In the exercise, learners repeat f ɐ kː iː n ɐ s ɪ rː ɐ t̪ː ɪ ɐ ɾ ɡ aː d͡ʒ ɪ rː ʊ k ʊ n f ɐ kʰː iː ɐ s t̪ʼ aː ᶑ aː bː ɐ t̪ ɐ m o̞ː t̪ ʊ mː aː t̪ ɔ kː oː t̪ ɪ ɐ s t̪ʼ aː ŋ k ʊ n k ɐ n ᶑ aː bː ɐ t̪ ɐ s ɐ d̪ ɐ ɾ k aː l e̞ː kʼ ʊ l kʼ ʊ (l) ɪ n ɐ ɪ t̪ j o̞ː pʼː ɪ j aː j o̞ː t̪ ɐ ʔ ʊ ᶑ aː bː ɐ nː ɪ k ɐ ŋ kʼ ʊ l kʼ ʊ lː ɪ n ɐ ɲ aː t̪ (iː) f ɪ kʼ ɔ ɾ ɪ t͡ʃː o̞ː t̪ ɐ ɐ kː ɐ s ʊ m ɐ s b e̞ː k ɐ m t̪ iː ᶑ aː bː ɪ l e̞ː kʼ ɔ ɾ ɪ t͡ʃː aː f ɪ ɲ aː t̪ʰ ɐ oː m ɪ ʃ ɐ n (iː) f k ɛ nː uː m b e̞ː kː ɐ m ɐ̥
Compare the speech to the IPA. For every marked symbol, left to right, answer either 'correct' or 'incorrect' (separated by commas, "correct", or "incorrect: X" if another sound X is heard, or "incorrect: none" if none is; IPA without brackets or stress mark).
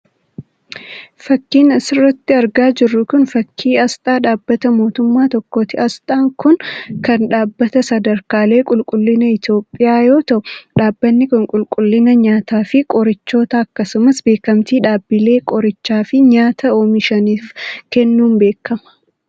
incorrect: lː, incorrect: aː, correct